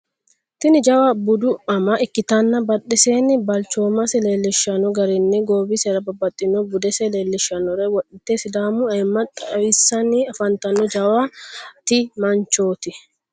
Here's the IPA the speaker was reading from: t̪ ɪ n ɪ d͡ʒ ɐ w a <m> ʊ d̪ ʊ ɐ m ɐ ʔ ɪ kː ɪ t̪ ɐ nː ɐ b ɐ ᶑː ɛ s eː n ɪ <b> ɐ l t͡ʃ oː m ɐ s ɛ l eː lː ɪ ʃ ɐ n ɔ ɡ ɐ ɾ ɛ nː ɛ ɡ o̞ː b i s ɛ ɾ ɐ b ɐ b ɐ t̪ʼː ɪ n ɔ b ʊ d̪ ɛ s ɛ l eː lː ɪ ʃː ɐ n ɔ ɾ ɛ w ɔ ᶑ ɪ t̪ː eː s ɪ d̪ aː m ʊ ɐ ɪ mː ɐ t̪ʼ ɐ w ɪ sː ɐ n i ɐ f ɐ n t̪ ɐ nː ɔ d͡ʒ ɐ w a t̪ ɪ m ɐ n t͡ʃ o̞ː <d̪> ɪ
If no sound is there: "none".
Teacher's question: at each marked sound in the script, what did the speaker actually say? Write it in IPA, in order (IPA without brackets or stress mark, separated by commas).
b, b, t̪